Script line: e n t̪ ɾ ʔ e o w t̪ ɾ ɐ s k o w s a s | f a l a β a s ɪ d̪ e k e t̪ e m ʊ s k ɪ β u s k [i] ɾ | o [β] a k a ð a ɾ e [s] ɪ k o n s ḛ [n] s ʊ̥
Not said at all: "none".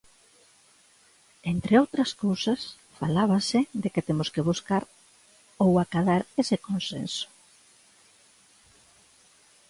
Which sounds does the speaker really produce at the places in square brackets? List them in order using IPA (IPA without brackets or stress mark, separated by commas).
a, w, s, n